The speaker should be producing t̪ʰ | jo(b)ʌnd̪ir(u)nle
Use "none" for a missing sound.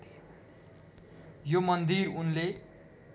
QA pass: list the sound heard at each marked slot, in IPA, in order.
m, u

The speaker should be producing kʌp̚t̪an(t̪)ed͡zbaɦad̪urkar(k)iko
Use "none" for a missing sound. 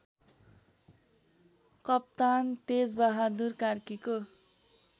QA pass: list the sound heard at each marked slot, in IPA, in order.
t̪, k

